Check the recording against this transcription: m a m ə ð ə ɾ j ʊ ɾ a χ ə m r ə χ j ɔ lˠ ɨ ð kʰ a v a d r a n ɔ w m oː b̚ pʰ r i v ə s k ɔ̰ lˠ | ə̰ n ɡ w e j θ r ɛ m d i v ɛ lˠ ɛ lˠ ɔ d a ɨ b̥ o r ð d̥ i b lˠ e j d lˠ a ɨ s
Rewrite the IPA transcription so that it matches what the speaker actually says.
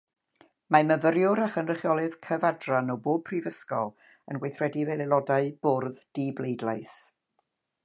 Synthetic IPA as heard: m a m ə v ə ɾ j ʊ ɾ a χ ə n r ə χ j ɔ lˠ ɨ ð kʰ ə v a d r a n ɔ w b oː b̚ pʰ r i v ə s k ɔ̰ lˠ | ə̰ n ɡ w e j θ r ɛ d i v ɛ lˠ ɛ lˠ ɔ d a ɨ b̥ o r ð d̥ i b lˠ e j d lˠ a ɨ s